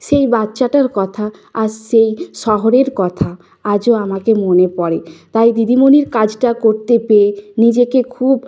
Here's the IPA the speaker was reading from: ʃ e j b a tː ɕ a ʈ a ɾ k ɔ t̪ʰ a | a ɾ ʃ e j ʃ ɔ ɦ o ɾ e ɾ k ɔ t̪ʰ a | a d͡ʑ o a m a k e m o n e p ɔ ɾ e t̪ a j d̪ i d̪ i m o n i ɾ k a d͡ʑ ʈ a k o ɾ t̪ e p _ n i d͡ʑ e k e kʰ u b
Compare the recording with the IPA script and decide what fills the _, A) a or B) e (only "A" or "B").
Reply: B